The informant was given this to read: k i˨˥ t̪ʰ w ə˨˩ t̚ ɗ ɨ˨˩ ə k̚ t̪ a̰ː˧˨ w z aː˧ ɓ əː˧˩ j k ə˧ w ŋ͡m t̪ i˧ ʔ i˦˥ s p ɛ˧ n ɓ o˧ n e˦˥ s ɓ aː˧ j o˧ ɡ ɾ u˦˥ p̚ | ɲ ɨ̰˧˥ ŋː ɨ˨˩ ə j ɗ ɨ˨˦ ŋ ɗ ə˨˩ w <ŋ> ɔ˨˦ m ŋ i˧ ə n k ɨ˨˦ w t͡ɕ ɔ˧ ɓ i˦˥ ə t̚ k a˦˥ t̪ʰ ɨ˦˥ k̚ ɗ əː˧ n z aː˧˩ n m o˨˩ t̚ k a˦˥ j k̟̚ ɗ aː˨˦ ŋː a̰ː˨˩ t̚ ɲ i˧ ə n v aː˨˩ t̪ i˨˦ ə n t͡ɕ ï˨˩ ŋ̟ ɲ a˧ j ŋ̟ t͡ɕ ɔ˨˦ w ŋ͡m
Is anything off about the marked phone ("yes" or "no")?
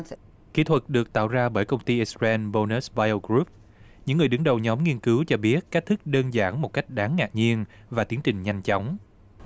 yes